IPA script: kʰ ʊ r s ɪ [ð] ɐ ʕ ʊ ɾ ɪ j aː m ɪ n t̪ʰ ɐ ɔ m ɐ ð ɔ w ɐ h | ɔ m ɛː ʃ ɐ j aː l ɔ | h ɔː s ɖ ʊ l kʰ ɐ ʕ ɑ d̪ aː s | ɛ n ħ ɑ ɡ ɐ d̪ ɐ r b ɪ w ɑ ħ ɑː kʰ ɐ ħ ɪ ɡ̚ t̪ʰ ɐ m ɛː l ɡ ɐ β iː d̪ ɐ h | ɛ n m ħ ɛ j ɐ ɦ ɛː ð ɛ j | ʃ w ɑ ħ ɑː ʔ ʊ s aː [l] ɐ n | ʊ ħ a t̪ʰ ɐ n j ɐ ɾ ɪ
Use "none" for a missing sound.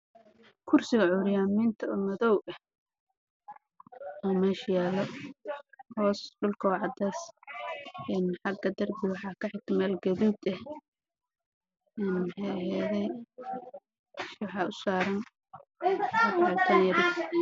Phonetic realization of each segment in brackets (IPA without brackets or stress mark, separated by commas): ɣ, ɾ